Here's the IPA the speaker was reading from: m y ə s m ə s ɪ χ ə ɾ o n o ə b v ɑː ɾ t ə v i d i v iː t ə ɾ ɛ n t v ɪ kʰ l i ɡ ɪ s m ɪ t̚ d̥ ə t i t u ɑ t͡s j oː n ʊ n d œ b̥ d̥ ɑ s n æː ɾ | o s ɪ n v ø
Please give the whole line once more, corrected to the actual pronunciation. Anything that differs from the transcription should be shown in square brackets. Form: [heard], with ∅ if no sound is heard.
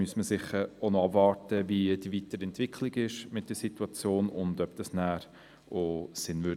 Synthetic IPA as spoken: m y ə s m ə s ɪ χ ə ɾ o n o [ɑ] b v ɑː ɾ t ə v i d i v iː t ə ɾ ɛ n t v ɪ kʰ l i ɡ ɪ [ʃ] m ɪ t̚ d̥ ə [s] i t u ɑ t͡s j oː n ʊ n d œ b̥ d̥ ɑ s n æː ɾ | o s ɪ n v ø